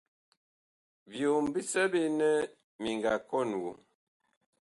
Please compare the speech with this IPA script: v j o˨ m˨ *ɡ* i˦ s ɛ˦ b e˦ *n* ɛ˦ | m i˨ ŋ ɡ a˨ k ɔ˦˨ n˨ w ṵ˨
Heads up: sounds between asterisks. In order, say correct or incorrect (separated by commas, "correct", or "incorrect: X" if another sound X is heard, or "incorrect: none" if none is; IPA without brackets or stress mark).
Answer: incorrect: b, correct